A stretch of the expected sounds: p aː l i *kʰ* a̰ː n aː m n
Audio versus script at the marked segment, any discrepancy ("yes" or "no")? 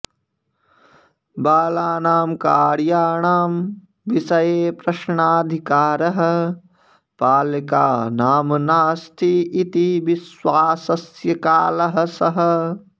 yes